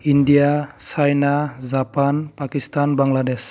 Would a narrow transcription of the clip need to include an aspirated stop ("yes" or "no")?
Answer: no